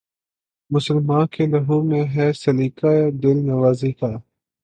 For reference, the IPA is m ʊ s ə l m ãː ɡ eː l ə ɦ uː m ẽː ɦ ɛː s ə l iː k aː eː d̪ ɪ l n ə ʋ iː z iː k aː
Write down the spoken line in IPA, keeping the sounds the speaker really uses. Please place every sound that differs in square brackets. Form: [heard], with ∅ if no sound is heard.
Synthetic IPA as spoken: m ʊ s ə l m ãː [k] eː l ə ɦ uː m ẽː ɦ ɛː s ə l iː k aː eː d̪ ɪ l n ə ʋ [aː] z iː k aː

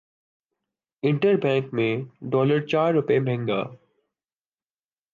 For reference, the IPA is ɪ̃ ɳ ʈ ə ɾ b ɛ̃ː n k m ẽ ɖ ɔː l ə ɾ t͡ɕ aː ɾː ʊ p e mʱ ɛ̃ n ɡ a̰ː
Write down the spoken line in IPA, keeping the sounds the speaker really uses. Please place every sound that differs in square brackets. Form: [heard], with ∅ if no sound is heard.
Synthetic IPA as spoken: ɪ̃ ɳ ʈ ə ɾ b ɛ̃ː [ŋ] k m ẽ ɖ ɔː l ə ɾ t͡ɕ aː ɾː ʊ p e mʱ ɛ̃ [ŋ] ɡ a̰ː

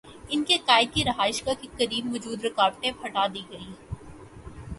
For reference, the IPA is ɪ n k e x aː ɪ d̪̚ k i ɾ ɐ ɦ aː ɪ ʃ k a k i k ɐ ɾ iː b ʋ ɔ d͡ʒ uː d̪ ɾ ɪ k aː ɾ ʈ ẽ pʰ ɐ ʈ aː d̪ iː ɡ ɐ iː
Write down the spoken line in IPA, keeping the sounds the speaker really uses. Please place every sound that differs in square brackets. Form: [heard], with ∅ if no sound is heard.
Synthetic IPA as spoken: ɪ n k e [k] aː ɪ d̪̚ k i ɾ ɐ ɦ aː ɪ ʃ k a k i k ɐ ɾ iː b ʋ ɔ d͡ʒ uː d̪ ɾ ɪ k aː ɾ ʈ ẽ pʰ ɐ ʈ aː d̪ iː ɡ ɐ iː

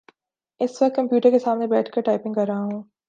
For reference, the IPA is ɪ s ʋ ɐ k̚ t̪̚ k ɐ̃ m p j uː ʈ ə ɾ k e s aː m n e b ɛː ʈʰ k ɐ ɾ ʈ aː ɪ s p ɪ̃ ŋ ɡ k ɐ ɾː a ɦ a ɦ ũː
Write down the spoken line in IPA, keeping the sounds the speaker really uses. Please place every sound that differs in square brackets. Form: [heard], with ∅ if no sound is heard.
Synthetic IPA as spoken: ɪ s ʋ ɐ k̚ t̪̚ k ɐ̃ m p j uː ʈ ə ɾ k e s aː m n e b ɛː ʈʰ k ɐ ɾ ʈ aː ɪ [∅] p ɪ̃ ŋ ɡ k ɐ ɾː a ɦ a ɦ ũː

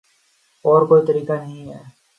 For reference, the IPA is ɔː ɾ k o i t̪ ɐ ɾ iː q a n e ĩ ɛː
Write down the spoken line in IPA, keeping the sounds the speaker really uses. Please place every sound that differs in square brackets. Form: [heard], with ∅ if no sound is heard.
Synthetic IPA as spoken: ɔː ɾ k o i t̪ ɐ ɾ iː [k] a n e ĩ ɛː

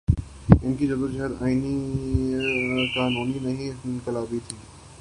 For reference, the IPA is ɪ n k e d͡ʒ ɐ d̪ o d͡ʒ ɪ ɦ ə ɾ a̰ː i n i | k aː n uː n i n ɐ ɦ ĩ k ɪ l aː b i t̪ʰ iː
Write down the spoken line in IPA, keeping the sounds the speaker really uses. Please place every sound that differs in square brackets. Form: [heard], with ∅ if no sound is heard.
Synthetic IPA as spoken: ɪ n k [i] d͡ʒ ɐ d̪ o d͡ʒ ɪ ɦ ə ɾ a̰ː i n i | k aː n uː n i n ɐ ɦ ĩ k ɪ l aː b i t̪ʰ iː

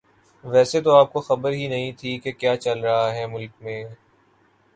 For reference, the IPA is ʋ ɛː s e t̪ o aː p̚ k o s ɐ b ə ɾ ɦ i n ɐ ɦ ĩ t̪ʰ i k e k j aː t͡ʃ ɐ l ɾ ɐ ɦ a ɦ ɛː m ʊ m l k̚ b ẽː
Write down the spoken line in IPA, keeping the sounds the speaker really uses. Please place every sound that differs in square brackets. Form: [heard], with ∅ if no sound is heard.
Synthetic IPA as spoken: ʋ ɛː s e t̪ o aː p̚ k o [x] ɐ b ə ɾ ɦ i n ɐ ɦ ĩ t̪ʰ i k e k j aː t͡ʃ ɐ l ɾ ɐ ɦ a ɦ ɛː m ʊ [∅] l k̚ [m] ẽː

